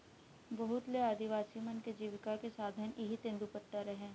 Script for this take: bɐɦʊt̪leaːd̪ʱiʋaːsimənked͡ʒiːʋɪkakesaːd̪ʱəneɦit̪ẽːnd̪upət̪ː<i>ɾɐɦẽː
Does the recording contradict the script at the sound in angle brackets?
yes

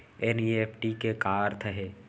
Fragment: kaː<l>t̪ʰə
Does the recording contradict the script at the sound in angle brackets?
yes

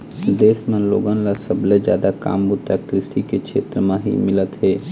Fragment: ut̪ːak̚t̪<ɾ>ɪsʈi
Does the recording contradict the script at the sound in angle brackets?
no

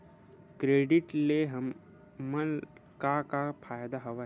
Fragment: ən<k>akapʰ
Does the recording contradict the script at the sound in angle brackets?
no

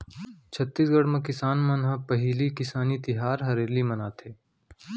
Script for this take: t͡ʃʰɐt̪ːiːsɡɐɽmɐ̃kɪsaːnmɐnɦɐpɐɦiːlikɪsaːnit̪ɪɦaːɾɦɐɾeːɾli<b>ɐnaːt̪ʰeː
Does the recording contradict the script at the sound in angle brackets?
yes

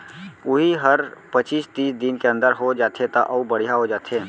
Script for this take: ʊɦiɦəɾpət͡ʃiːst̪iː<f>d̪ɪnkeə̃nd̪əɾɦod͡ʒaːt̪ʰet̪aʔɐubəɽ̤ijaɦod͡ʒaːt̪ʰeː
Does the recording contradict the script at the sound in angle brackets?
yes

